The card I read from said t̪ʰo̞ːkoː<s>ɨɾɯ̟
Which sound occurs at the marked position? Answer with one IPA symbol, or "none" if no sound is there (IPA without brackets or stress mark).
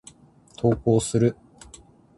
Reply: s